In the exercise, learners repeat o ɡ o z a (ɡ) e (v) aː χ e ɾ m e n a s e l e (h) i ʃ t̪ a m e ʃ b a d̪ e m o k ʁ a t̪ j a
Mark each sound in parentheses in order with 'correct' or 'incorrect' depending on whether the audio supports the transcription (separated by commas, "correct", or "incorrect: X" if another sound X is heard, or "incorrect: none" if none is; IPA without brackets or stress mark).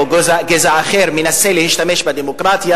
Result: correct, incorrect: z, correct